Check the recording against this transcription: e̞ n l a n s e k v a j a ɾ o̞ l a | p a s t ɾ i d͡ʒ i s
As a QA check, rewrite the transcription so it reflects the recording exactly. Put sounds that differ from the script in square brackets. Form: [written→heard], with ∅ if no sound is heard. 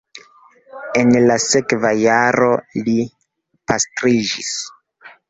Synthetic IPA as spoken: e̞ n l a [n→∅] s e k v a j a ɾ o̞ l [a→i] | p a s t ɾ i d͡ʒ i s